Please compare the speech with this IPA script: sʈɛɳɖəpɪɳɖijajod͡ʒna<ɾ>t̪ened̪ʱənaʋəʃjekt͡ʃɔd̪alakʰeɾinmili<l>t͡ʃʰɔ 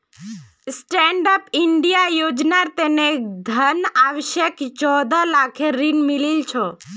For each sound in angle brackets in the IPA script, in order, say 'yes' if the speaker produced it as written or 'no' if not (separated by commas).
yes, yes